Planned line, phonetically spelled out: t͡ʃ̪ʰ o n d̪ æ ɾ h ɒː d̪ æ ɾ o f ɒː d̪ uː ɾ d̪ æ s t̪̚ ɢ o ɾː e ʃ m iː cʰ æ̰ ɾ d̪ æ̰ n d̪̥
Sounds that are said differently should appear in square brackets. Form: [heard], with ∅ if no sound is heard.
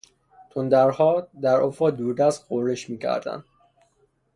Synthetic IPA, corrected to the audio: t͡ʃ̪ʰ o n d̪ æ ɾ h ɒː d̪ æ ɾ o f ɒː d̪ uː ɾ d̪ æ s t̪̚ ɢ o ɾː e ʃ m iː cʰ æ̰ ɾ d̪ æ̰ n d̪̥